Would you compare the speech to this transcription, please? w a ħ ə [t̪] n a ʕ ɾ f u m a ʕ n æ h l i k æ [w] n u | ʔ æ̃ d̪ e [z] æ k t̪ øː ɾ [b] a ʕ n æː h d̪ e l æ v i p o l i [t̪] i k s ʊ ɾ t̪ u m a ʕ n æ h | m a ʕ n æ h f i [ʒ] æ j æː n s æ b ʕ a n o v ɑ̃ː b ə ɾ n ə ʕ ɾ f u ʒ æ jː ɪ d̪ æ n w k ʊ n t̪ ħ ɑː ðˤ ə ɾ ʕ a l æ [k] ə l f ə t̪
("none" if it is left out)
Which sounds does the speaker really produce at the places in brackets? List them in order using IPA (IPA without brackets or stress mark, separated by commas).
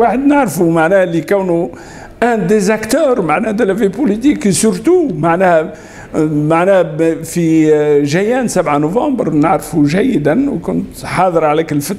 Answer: d̪, w, z, m, t̪, ʒ, k